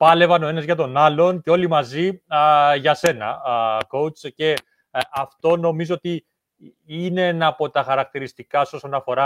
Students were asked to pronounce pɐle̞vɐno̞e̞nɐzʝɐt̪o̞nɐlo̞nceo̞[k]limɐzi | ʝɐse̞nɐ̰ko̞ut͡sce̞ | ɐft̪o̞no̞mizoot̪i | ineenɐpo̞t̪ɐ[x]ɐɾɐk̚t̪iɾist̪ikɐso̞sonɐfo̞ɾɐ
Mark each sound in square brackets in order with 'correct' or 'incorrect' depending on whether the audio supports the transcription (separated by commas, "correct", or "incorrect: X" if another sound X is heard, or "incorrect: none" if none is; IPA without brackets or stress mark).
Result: incorrect: none, correct